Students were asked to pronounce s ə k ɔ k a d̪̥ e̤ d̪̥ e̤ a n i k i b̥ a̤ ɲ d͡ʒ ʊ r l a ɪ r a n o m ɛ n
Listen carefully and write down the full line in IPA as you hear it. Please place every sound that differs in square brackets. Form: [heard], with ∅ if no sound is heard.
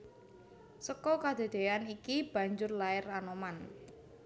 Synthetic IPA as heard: s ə k ɔ k a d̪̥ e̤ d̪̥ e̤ a n i k i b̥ a̤ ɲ d͡ʒ ʊ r l a ɪ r a n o m [a] n